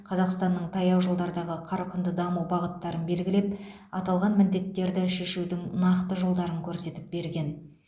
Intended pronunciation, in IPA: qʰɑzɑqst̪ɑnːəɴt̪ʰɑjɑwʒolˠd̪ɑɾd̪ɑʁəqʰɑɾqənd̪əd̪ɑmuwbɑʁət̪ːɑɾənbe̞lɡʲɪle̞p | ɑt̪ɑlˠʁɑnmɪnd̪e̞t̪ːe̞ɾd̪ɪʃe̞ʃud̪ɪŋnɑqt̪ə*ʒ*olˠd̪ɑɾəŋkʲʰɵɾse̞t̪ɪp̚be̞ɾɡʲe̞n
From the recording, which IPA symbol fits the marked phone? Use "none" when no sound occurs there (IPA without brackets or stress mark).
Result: ʒ